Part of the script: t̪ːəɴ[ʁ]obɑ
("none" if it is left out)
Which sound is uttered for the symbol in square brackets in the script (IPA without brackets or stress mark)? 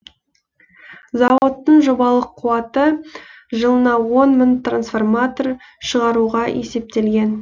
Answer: ʒ